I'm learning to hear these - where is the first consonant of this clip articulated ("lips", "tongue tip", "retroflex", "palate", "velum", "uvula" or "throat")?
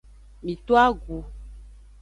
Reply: lips